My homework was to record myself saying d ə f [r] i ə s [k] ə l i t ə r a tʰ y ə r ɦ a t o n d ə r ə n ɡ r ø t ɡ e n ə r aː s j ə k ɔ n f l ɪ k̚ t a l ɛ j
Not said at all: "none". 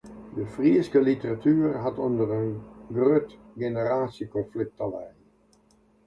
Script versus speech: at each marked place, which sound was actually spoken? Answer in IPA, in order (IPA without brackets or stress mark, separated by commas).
r, k